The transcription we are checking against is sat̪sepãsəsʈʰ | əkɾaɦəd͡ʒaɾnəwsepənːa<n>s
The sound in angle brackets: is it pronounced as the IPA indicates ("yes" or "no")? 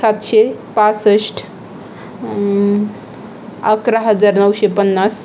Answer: no